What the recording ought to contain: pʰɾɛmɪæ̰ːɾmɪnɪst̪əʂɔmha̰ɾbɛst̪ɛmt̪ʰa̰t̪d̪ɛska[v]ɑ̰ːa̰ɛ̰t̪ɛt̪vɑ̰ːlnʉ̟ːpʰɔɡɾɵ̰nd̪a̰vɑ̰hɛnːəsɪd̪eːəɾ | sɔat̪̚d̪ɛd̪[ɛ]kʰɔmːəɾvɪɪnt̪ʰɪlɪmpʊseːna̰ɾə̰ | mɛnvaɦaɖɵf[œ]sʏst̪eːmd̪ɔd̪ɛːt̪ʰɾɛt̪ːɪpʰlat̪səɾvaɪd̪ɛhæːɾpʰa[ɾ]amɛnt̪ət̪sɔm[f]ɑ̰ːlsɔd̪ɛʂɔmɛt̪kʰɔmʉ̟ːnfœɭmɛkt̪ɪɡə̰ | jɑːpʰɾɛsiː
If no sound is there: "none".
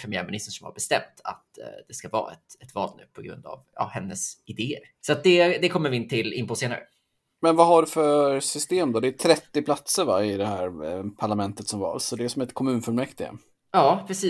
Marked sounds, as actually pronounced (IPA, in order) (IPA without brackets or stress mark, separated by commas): v, ɛ, œ, ɭ, v